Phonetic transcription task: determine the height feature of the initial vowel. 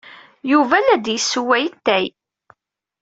high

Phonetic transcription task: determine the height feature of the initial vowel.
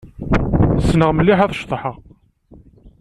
mid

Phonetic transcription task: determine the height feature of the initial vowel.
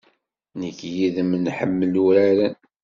mid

